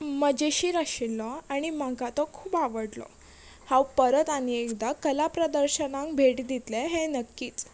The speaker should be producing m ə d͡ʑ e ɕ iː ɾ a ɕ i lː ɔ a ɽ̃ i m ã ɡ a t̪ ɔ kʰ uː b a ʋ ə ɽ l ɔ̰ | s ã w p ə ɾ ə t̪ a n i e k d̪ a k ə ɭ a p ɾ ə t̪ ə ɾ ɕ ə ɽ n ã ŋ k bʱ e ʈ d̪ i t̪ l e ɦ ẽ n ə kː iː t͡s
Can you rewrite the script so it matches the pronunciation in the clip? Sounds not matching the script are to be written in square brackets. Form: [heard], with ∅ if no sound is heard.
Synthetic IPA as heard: m ə d͡ʑ e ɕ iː ɾ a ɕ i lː ɔ a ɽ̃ i m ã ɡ a t̪ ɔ kʰ uː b a ʋ ə ɽ l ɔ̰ | [h] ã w p ə ɾ ə t̪ a n i e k d̪ a k ə [l] a p ɾ ə [d̪] ə ɾ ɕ ə [∅] n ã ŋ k bʱ e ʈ d̪ i t̪ l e ɦ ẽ n ə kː iː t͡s